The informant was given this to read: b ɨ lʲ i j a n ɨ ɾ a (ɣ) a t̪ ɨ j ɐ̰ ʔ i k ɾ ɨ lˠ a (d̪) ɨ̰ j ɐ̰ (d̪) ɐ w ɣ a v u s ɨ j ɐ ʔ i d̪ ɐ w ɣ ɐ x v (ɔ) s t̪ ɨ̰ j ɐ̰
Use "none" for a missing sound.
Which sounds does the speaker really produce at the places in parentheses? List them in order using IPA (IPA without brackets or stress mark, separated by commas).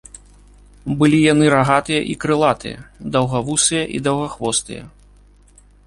ɣ, t̪, d̪, ɔ